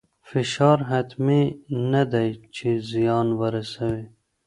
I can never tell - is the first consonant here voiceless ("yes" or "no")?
yes